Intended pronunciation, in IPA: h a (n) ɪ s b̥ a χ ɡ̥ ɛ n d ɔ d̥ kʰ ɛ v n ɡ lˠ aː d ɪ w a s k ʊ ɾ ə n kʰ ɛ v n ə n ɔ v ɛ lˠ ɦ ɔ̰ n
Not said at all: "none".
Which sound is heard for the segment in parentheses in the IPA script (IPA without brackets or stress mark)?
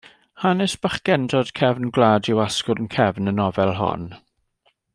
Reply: n